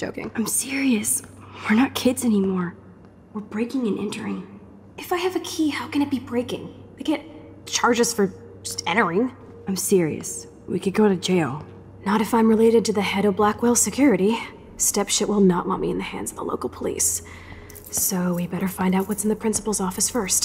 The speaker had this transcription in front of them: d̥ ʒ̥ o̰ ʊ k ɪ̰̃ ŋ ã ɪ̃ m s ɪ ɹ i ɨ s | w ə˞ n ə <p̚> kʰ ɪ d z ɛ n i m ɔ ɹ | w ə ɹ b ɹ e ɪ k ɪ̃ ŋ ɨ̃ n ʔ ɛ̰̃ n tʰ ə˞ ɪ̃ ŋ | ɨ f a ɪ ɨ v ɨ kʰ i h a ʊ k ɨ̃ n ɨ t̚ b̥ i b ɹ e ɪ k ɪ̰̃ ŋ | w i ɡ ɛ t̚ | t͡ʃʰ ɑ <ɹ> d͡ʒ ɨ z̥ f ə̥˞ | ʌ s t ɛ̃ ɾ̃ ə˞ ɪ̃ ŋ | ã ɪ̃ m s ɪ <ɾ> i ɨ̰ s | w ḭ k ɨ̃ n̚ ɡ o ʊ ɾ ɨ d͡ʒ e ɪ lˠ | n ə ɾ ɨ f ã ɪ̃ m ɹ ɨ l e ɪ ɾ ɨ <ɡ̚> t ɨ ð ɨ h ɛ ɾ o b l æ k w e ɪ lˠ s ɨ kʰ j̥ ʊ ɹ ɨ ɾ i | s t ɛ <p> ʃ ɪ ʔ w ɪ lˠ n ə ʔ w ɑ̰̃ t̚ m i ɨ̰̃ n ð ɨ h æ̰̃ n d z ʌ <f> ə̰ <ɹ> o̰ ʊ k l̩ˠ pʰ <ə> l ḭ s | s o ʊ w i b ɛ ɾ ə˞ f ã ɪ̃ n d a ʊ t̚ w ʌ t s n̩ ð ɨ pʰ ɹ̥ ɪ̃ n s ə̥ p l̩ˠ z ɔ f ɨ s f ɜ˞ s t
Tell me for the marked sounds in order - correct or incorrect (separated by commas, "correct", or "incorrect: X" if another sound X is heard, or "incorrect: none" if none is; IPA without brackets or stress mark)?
incorrect: t̚, correct, incorrect: ɹ, incorrect: d̚, correct, incorrect: v, incorrect: l, correct